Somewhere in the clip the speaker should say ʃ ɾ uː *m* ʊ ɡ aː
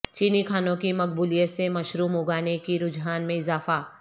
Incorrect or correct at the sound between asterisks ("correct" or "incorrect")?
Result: correct